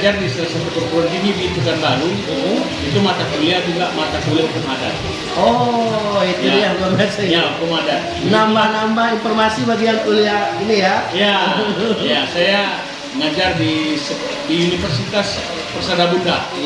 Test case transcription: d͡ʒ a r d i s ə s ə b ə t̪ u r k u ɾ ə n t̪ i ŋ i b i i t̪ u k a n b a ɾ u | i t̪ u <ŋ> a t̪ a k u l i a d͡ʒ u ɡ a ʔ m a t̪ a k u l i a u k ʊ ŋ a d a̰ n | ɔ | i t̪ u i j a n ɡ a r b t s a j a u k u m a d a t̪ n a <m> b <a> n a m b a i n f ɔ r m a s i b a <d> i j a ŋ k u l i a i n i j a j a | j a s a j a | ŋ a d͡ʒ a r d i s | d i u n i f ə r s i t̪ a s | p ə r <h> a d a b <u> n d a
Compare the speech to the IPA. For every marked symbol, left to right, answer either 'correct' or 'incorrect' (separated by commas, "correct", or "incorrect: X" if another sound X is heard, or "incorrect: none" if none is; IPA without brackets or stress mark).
incorrect: m, correct, correct, incorrect: ɡ, incorrect: s, correct